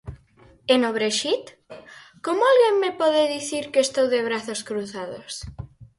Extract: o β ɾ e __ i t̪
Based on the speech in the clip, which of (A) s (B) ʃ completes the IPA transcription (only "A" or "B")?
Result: B